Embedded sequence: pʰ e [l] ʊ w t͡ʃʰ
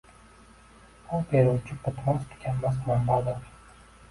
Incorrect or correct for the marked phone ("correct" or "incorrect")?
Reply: incorrect